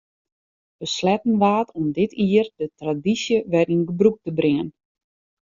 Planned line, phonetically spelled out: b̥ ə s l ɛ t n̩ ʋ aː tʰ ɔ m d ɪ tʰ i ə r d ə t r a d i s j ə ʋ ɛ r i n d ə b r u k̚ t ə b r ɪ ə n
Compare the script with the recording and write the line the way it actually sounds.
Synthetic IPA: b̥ ə s l ɛ t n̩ ʋ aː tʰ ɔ m d ɪ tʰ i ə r d ə t r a d i s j ə ʋ ɛ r i n ɡ ə b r u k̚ t ə b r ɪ ə n